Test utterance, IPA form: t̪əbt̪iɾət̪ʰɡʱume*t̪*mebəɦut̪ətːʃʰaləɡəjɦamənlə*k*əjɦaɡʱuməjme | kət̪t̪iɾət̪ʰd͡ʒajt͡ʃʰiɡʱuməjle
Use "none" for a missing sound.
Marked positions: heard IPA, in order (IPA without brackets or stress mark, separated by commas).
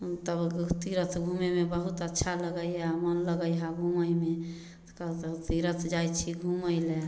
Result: none, ɡ